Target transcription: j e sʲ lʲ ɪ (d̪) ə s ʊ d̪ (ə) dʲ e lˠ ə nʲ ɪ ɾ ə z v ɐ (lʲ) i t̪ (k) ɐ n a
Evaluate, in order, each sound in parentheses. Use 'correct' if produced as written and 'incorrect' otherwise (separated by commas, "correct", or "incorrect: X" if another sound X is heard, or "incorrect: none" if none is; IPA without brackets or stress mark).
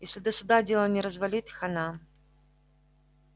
correct, incorrect: a, correct, incorrect: x